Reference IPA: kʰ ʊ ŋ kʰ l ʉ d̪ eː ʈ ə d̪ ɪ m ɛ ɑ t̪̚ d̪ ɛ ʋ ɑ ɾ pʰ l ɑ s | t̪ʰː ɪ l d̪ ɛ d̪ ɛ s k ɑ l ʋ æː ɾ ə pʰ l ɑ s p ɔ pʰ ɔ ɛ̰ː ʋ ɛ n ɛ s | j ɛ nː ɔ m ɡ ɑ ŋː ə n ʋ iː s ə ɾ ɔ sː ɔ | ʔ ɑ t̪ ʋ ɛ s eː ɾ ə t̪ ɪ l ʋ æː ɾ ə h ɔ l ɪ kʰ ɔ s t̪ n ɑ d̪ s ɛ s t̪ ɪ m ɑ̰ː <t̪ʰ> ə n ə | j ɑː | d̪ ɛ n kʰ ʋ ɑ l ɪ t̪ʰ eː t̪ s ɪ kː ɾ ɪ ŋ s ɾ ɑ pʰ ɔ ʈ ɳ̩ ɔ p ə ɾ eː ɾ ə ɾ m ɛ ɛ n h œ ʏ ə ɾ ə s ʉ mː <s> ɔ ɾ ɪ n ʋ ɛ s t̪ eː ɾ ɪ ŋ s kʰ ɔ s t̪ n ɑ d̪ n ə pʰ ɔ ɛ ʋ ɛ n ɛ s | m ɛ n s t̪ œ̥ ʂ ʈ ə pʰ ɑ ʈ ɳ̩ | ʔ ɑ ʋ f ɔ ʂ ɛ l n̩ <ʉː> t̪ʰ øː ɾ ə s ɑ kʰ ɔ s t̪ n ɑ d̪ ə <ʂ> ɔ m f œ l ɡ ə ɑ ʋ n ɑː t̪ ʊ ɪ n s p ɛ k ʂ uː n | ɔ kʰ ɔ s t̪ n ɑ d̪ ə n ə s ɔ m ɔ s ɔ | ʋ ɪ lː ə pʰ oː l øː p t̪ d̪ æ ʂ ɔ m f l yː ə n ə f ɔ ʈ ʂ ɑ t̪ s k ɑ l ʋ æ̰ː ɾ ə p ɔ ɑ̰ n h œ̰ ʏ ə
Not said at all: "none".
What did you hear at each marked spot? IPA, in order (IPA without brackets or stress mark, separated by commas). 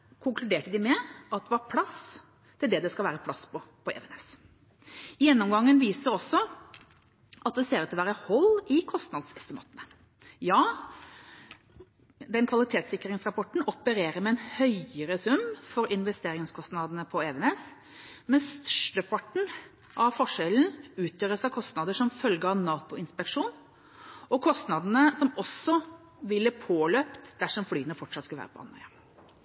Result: t̪, f, ʉː, ʂ